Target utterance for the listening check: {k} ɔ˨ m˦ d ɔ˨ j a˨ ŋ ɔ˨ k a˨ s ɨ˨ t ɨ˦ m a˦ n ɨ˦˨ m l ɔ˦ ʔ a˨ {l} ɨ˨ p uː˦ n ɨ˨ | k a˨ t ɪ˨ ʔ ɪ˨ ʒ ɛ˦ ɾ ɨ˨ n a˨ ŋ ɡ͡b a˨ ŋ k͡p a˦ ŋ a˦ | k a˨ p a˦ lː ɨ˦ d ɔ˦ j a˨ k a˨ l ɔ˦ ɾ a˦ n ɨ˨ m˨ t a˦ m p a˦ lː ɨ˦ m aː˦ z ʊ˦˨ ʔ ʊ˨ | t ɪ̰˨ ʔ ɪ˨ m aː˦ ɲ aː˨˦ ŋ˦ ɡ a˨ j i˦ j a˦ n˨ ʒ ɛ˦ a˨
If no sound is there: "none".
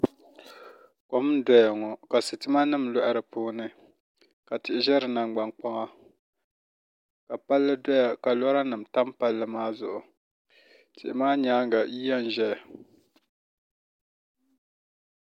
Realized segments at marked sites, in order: k, ɾ

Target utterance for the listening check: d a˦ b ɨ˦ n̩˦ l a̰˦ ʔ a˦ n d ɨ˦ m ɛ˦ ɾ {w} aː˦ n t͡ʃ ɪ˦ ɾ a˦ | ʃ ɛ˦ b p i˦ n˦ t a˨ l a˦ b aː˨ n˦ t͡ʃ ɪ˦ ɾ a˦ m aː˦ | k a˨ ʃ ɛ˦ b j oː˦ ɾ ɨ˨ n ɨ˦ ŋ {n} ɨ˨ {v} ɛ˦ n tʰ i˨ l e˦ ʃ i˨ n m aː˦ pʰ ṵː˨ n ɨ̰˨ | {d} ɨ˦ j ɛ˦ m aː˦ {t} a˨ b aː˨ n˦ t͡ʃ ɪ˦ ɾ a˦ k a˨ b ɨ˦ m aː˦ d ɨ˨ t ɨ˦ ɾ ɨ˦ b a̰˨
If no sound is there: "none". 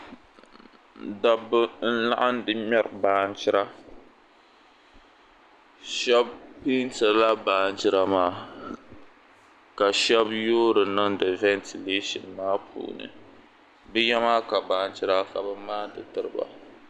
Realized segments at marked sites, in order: b, d, v, b, k

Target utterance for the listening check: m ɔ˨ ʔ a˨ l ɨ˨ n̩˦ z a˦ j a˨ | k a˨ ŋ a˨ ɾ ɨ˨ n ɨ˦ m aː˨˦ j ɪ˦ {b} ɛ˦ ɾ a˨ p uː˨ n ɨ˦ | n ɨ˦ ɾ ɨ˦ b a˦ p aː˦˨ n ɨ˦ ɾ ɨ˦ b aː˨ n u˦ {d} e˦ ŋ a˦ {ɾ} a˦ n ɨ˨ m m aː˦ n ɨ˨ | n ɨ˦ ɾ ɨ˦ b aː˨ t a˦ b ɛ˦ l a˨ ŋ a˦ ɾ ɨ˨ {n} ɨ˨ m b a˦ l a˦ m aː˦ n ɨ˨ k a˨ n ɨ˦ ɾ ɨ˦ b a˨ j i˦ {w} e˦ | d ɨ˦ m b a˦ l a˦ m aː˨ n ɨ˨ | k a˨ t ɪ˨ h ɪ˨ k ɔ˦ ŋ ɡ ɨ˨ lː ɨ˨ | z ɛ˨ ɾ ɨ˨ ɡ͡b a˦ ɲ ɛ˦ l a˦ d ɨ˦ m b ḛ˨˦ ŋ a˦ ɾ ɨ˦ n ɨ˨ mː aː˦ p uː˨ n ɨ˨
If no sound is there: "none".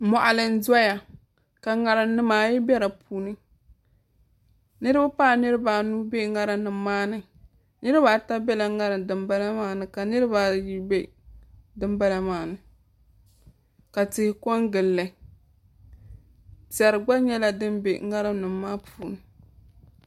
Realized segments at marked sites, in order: b, b, ɾ, d, b

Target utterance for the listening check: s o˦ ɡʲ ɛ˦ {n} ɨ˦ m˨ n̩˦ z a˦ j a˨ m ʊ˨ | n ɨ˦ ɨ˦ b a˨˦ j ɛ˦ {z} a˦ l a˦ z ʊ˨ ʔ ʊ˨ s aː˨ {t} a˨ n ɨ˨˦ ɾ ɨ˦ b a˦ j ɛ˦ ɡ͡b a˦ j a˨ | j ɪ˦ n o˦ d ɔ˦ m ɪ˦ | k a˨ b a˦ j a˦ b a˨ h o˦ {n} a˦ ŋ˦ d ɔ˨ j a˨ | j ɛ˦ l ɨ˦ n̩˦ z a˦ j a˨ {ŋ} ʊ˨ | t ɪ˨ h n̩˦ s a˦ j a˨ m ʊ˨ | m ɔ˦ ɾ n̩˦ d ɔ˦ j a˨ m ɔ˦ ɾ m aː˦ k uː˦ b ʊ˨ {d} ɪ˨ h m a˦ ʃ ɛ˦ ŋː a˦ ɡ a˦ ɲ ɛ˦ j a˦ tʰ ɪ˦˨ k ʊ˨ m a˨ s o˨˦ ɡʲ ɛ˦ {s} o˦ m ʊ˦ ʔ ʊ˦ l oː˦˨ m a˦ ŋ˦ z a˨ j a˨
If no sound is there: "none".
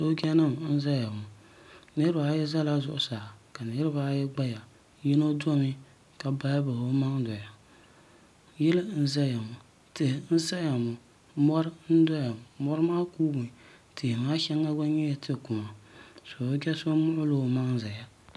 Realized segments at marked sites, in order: n, z, k, m, m, t, s

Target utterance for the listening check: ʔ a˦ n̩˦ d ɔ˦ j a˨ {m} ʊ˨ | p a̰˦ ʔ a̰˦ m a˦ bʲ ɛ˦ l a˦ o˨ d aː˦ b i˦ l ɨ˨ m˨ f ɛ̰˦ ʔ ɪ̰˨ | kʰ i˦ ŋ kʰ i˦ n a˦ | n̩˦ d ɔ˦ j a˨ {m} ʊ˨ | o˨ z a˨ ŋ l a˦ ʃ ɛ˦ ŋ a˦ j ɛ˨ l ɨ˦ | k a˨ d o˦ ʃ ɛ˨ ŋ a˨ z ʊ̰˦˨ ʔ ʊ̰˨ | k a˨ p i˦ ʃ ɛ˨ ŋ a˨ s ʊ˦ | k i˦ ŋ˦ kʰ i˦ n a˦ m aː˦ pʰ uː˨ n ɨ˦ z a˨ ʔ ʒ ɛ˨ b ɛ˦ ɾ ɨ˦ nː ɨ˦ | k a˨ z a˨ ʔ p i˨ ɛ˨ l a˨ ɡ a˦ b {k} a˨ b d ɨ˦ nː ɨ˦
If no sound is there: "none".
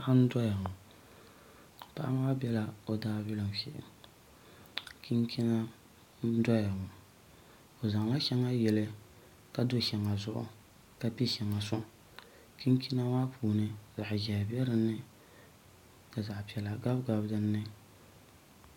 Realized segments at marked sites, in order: ŋ, ŋ, ɡ

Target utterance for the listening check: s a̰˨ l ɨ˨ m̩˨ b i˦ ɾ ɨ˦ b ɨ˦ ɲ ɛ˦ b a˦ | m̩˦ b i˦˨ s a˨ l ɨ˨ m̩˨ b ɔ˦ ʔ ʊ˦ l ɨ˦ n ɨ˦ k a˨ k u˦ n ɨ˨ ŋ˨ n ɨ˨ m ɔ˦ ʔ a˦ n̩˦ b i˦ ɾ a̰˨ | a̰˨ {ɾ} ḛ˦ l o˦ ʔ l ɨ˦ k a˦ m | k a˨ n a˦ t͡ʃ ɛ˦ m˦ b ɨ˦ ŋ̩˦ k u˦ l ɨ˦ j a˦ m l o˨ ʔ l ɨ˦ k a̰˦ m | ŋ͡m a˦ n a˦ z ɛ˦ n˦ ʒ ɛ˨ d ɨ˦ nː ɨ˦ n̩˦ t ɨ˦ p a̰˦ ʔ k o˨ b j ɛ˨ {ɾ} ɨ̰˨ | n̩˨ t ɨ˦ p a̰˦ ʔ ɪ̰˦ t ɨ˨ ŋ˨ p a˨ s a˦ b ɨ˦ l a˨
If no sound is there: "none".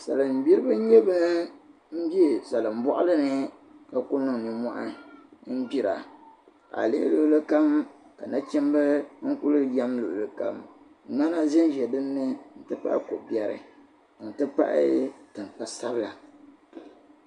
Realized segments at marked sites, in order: l, ɾ

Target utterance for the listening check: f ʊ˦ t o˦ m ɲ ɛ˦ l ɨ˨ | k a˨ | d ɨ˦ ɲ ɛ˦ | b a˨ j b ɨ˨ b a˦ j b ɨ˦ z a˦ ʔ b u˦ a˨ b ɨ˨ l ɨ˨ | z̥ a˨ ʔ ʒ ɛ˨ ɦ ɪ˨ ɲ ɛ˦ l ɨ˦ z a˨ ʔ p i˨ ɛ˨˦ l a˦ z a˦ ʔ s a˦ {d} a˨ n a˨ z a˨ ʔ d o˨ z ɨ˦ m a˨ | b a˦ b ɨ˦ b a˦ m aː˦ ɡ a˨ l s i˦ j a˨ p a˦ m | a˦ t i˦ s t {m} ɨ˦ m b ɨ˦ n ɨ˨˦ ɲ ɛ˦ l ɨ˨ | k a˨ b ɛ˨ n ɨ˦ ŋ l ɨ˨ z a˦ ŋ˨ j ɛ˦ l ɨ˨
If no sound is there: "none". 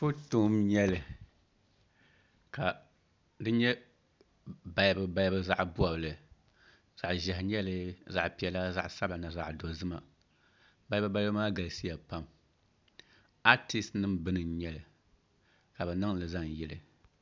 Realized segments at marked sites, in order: b, n

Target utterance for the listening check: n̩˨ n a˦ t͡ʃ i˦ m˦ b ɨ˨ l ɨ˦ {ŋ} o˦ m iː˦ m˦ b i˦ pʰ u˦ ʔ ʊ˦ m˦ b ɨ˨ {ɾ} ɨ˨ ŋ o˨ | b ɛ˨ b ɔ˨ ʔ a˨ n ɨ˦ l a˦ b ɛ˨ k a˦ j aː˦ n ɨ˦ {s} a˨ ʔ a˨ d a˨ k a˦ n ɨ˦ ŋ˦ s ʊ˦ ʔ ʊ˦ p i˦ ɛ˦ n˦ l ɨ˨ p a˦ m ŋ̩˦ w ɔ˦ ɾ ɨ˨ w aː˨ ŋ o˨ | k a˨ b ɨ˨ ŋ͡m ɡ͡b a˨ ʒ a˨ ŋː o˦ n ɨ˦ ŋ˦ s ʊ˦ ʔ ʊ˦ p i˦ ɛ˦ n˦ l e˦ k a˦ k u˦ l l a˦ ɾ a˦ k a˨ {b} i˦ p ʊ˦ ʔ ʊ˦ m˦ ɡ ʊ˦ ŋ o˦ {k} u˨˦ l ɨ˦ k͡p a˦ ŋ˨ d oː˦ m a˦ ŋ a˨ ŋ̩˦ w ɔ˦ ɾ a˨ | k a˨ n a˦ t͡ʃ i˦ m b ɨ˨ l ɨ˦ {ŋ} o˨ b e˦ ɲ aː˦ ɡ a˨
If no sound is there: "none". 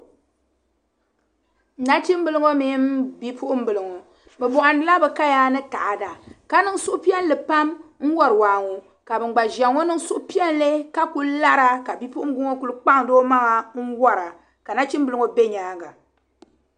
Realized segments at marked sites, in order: ŋ, l, t, b, k, ŋ

